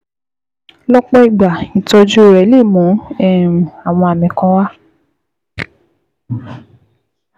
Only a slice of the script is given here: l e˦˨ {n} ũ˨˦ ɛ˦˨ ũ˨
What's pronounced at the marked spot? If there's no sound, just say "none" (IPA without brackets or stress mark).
m